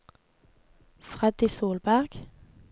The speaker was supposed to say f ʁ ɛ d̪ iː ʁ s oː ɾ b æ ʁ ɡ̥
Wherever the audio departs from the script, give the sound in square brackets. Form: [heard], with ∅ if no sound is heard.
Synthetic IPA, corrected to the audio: f ʁ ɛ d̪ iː [∅] s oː [l] b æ ʁ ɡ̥